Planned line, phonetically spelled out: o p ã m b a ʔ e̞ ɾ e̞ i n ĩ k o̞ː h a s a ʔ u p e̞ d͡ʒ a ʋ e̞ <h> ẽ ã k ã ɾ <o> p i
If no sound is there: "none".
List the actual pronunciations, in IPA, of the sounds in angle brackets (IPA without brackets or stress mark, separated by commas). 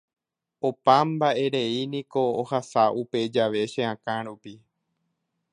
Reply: ʃ, u